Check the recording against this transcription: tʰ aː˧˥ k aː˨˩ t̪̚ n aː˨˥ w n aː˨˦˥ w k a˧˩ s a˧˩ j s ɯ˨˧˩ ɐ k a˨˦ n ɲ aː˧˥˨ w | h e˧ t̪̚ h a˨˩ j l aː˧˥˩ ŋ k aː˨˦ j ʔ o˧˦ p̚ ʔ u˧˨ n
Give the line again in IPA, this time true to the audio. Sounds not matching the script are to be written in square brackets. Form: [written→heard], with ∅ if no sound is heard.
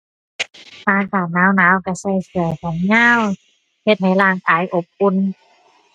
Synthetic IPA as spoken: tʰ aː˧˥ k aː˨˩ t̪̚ n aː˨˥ w n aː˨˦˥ w k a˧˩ s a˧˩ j s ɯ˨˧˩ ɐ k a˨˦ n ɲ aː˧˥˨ w | h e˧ t̪̚ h a˨˩ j l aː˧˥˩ ŋ k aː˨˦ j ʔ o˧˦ p̚ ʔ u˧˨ n